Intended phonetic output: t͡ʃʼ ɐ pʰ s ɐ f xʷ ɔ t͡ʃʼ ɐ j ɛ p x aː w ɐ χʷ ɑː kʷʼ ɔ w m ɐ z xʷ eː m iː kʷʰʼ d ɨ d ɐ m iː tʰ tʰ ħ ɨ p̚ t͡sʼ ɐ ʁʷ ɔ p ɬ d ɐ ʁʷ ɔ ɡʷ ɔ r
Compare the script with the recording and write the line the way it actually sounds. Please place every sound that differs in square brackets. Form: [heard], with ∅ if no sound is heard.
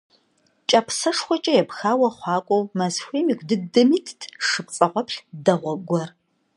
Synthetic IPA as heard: t͡ʃʼ ɐ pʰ s ɐ [ʂ] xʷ ɔ t͡ʃʼ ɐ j ɛ p x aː w ɐ χʷ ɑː kʷʼ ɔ w m ɐ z xʷ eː m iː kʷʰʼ d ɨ d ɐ m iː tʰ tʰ [ʂ] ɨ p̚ t͡sʼ ɐ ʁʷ ɔ p ɬ d ɐ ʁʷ ɔ ɡʷ ɔ r